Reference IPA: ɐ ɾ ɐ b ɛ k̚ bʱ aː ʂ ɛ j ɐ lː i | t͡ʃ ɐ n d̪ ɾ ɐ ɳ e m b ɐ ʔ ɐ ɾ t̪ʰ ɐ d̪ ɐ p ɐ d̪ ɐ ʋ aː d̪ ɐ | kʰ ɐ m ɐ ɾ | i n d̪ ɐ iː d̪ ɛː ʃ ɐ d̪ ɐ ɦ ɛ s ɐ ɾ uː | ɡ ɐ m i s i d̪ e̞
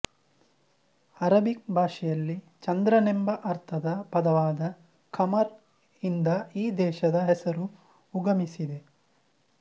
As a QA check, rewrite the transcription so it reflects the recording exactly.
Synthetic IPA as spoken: ɐ ɾ ɐ b i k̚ bʱ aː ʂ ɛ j ɐ lː i | t͡ʃ ɐ n d̪ ɾ ɐ n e m b ɐ ʔ ɐ ɾ t̪ʰ ɐ d̪ ɐ p ɐ d̪ ɐ ʋ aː d̪ ɐ | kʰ ɐ m ɐ ɾ | i n d̪ ɐ iː d̪ ɛː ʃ ɐ d̪ ɐ ɦ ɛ s ɐ ɾ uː | ɡ ɐ m i s i d̪ e̞